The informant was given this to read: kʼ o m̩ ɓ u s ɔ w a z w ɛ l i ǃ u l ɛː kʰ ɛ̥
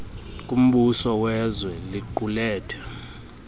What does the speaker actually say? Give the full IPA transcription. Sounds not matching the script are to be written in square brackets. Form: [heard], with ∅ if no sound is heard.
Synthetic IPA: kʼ [u] m̩ ɓ u s ɔ w [ɛ] z w ɛ l i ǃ u l ɛː [tʰ] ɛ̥